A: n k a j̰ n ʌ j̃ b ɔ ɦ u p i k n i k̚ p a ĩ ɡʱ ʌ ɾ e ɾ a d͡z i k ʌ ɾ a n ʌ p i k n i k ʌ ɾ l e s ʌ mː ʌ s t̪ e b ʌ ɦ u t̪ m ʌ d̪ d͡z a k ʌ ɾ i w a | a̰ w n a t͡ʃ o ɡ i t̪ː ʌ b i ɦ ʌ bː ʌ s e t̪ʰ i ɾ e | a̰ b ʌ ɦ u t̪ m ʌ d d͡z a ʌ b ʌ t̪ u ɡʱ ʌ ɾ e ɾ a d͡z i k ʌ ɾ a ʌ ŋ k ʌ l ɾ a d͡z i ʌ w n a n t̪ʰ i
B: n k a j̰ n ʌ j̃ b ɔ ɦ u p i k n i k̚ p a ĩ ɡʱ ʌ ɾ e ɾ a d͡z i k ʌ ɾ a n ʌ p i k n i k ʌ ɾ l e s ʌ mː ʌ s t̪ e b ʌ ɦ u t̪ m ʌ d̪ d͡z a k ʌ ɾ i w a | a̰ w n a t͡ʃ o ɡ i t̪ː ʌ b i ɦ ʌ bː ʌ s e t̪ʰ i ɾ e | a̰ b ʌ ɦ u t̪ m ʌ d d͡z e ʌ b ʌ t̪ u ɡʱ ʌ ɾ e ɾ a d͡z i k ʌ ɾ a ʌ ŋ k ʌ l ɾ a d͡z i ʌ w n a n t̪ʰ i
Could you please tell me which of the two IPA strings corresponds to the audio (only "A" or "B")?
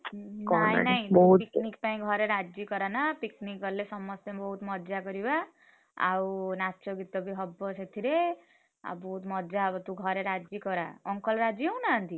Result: A